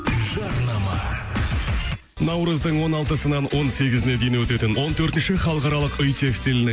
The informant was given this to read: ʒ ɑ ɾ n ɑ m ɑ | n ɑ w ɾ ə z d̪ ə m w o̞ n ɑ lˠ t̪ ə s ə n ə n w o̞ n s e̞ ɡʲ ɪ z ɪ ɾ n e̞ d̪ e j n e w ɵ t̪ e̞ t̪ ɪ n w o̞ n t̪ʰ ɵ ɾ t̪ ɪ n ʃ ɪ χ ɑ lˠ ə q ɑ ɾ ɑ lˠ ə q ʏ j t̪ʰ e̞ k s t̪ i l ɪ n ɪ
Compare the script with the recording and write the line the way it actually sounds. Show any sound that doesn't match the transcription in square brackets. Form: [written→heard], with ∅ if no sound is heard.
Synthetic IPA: ʒ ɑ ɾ n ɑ m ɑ | n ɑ w ɾ ə z d̪ ə [m→ɴ] w o̞ n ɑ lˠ t̪ ə s ə n [ə→ɑ] n w o̞ n s e̞ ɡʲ ɪ z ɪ [ɾ→∅] n e̞ d̪ e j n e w ɵ t̪ e̞ t̪ ɪ n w o̞ n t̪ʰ ɵ ɾ t̪ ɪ n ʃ ɪ χ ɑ lˠ ə q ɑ ɾ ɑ lˠ ə q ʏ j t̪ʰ e̞ k s t̪ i l ɪ n ɪ